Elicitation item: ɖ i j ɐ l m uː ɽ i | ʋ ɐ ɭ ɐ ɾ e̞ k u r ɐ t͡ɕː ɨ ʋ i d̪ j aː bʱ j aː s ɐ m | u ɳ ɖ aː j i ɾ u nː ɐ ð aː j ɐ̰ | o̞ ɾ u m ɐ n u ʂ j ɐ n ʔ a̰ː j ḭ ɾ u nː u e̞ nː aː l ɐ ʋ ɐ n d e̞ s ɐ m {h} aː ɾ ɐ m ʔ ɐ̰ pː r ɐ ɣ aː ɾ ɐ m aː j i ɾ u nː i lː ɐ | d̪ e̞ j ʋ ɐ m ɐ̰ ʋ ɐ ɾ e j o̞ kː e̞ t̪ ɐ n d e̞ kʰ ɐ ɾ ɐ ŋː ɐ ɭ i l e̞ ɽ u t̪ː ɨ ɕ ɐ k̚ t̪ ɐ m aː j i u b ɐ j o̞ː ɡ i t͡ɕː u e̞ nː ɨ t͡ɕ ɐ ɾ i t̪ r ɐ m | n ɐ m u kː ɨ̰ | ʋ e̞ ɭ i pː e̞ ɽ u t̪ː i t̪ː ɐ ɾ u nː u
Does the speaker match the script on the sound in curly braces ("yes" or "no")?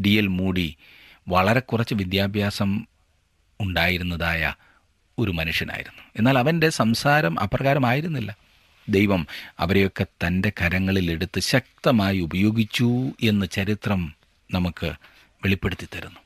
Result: no